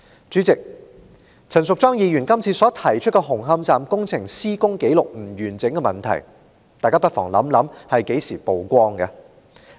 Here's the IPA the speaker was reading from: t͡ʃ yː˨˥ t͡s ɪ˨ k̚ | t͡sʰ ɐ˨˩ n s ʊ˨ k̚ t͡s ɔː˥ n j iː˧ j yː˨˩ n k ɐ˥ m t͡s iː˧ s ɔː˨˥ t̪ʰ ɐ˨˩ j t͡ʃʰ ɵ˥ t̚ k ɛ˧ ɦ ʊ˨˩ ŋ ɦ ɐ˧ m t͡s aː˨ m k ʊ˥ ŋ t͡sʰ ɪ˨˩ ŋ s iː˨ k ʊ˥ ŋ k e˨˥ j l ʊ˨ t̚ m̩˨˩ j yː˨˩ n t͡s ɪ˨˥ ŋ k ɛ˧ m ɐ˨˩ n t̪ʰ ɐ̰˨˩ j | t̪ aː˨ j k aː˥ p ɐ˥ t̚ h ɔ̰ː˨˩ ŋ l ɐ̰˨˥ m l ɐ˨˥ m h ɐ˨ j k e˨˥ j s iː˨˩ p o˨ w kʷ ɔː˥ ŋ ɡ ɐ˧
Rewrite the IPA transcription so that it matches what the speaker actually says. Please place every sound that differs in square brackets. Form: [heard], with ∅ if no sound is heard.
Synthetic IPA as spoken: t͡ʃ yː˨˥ t͡s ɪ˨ k̚ | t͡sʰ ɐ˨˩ n s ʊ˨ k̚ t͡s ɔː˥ [ŋ] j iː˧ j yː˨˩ n k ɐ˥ m [t͡sʰ] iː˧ s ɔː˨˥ t̪ʰ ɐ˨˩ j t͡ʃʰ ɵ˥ t̚ k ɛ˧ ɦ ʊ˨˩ ŋ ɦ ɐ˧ m t͡s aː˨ m k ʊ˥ ŋ t͡sʰ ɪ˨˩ ŋ s [iː˥] k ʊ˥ ŋ k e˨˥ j l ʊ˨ [k̚] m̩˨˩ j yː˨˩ n t͡s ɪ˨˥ ŋ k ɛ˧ m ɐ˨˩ n t̪ʰ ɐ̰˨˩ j | t̪ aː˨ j k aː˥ p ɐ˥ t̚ [f] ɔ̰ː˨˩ ŋ l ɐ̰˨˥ m l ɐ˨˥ m h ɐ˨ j k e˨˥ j s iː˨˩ p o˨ w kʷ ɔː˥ ŋ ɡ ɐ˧